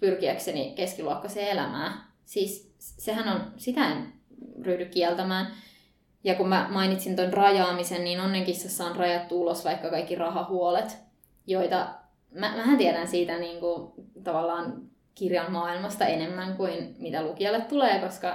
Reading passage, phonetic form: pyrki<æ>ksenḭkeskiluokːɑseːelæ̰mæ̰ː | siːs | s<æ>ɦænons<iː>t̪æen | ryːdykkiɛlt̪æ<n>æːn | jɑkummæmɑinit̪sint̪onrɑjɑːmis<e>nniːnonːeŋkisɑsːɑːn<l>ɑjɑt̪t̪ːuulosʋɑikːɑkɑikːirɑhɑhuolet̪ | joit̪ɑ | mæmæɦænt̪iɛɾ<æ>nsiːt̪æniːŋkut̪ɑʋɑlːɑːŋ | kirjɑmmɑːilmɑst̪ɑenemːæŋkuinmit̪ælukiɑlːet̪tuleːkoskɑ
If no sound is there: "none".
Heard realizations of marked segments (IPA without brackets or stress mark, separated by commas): æ, e, i, m, e, r, æ